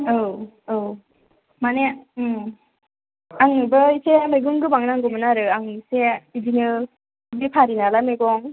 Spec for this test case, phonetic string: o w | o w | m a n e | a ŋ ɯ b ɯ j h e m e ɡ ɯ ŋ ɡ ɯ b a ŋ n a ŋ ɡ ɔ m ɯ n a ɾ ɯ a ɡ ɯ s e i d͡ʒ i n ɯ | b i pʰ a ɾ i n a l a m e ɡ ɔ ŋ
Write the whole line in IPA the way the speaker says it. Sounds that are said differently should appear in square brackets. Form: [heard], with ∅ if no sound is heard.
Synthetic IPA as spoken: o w | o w | m a n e | a ŋ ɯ b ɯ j [s] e m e ɡ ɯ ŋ ɡ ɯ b a ŋ n a ŋ ɡ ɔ m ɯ n a ɾ ɯ a [ŋ] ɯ s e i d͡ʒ i n ɯ | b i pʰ a ɾ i n a l a m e ɡ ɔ ŋ